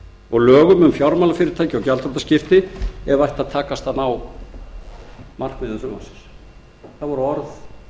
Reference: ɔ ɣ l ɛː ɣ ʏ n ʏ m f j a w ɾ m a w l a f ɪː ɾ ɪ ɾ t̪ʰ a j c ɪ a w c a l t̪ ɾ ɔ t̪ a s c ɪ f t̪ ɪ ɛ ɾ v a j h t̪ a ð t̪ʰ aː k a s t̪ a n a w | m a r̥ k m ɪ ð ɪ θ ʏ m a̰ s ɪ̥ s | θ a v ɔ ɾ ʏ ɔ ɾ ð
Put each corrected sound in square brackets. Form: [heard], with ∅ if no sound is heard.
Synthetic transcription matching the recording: ɔ ɣ l [œː] ɣ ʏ [m] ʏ m f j a w ɾ m a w l a f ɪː ɾ ɪ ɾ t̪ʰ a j c ɪ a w c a l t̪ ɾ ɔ t̪ a s c ɪ f t̪ ɪ ɛ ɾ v a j h t̪ a ð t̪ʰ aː k a s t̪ a n a w | m a r̥ k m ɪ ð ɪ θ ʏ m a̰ s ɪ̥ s | θ a v ɔ ɾ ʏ ɔ ɾ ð

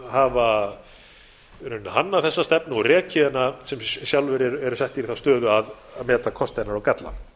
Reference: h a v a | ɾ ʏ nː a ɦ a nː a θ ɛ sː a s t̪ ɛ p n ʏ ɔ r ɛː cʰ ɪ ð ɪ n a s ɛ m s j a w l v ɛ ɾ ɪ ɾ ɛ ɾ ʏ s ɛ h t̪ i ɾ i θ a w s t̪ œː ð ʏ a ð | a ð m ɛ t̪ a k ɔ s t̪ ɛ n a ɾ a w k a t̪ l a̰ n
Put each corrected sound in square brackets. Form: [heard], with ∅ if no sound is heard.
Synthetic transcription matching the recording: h a v a | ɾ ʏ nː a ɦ a nː a θ ɛ sː a s t̪ ɛ p n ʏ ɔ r ɛː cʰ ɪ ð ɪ n a s ɛ m s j a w l v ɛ ɾ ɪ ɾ ɛ ɾ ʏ s ɛ h t̪ i ɾ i θ a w s t̪ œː ð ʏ a ð | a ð m [ɛː] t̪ a [kʰ] ɔ s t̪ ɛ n a ɾ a w k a t̪ l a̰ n

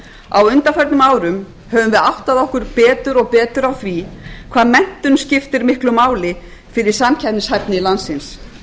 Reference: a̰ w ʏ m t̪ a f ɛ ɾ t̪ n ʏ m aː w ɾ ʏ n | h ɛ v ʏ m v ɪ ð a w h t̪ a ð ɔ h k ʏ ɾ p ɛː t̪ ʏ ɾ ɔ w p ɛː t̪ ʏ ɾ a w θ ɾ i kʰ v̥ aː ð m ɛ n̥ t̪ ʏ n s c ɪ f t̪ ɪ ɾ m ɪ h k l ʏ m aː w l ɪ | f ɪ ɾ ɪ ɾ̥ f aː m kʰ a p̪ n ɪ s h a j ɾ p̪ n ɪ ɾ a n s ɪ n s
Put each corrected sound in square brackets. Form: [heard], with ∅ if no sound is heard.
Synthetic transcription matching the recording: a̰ w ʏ [n] t̪ a f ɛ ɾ t̪ n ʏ m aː w ɾ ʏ [m] | h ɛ v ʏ m v ɪ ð a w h t̪ a ð ɔ h k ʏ ɾ p ɛː t̪ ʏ ɾ ɔ [ɣ] p ɛː t̪ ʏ ɾ a w θ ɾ i kʰ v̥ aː ð m ɛ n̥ t̪ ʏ n s c ɪ f t̪ ɪ ɾ m ɪ h k l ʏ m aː w l ɪ | f ɪ ɾ ɪ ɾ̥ [s] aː m [cʰ] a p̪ n ɪ s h a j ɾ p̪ n ɪ [l] a n s ɪ n s

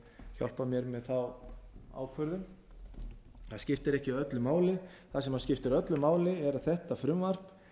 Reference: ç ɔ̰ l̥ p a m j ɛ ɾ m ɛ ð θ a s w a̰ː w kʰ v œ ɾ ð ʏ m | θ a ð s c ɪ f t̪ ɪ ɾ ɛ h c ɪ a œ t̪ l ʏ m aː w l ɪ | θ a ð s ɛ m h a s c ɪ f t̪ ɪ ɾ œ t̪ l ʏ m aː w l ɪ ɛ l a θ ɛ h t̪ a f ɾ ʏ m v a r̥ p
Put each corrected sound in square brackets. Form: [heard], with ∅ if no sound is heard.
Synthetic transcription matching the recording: ç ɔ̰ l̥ p a m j ɛ ɾ m ɛ ð θ a [∅] w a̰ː w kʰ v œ ɾ ð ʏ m | θ a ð s c ɪ f t̪ ɪ ɾ ɛ h c ɪ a œ t̪ l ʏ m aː w l ɪ | θ a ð s ɛ m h a s c ɪ f t̪ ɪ ɾ œ t̪ l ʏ m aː w l ɪ ɛ [ɾ] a θ ɛ h t̪ a f ɾ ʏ m v a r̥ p

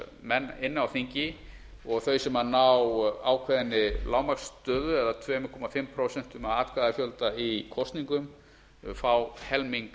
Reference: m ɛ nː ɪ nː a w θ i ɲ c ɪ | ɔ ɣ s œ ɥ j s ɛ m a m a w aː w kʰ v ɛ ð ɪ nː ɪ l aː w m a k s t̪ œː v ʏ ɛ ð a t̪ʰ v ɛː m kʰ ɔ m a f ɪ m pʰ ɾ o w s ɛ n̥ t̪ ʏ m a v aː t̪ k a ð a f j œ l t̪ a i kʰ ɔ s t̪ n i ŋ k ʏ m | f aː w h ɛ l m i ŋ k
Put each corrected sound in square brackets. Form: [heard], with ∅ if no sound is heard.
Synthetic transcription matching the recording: m ɛ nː ɪ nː a w θ i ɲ c ɪ | ɔ ɣ [θ] œ ɥ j s ɛ m a [n] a w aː w kʰ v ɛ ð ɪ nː ɪ l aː w m a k s t̪ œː [ð] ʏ ɛ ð a t̪ʰ v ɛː m kʰ ɔ m a f ɪ m pʰ ɾ o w s ɛ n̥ t̪ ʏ m a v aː t̪ k a ð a f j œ l t̪ a i kʰ ɔ s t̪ n i ŋ k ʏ m | f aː w h ɛ l m i ŋ k

